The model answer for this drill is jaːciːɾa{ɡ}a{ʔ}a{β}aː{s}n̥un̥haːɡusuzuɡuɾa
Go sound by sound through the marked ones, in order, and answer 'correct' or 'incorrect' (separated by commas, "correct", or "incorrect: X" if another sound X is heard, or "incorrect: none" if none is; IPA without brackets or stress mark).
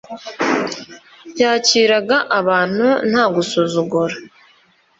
correct, correct, correct, incorrect: none